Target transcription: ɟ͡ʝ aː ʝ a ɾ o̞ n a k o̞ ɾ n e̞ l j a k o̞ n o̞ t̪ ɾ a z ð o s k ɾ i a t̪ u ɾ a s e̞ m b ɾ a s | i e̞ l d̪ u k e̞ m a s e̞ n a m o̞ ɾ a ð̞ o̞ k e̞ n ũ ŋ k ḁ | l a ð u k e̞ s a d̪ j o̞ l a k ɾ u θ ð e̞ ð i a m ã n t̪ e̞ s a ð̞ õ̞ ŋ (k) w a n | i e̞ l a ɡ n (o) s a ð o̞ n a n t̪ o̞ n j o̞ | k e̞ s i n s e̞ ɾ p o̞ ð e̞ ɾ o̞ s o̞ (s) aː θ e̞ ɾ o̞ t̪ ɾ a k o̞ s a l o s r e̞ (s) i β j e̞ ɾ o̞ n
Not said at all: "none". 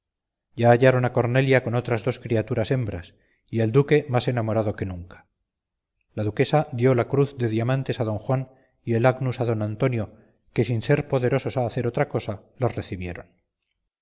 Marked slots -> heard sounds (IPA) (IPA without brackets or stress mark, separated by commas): x, u, s, θ